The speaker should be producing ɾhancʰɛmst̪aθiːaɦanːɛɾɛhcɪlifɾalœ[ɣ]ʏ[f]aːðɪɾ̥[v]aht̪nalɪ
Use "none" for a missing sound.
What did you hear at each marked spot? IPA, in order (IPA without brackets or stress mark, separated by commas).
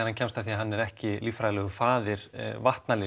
ɣ, f, v